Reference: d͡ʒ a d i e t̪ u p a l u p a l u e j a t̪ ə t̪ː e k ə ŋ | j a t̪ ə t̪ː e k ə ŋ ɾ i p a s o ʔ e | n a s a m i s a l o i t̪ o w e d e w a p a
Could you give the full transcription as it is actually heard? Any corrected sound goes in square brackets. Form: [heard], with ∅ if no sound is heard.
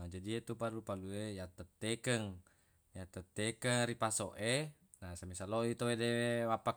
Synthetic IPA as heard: d͡ʒ a d i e t̪ u p a l u p a l u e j a t̪ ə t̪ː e k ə ŋ | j a t̪ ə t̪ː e k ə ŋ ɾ i p a s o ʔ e | n a s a m i s a l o i t̪ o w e d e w a p a

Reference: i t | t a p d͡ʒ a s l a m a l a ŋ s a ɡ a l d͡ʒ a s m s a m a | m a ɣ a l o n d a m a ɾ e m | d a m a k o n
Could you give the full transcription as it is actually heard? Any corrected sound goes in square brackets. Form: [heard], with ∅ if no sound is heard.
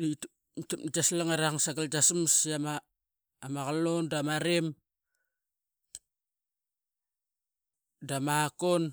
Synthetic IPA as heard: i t | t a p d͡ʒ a s l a [ŋ] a [ɾ] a ŋ s a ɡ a l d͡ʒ a s m s a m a | m a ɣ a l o n d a m a ɾ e m | d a m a k o n

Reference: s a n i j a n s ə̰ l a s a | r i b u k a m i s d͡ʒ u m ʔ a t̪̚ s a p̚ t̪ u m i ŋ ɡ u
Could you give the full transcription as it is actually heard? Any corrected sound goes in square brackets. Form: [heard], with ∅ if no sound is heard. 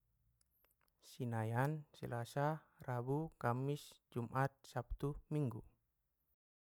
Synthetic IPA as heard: s [i] n [a] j a n s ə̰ l a s a | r [a] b u k a m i s d͡ʒ u m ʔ a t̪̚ s a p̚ t̪ u m i ŋ ɡ u

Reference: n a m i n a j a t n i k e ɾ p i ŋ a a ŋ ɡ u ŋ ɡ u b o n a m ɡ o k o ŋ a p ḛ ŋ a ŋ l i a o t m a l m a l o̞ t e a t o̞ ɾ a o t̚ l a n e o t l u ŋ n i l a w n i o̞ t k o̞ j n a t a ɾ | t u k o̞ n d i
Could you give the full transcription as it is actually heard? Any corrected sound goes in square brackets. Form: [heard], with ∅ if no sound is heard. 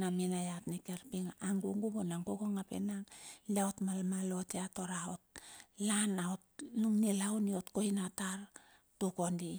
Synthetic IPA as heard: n a m i n a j a t n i k e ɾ p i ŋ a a ŋ ɡ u ŋ ɡ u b o n a [ŋ] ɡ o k o ŋ a p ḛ [n] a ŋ l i a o t m a l m a l o̞ t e a t o̞ ɾ a o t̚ l a n [a] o t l u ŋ n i l a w n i o̞ t k o̞ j n a t a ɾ | t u k o̞ n d i

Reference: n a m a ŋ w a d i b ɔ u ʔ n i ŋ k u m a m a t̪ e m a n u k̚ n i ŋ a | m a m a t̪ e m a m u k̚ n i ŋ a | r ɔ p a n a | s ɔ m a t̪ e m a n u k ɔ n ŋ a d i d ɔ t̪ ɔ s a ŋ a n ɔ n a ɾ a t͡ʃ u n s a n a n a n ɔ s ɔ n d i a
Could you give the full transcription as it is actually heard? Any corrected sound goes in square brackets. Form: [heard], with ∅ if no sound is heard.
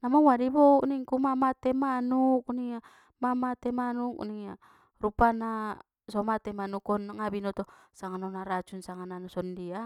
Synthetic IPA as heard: n a m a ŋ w a d i b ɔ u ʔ n i ŋ k u m a m a t̪ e m a n u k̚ n i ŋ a | m a m a t̪ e m a [n] u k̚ n i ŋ a | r [u] p a n a | s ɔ m a t̪ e m a n u k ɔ n ŋ a [b] i [n] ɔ t̪ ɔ s a ŋ a n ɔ n a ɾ a t͡ʃ u n s a [ŋ] a n a n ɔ s ɔ n d i a

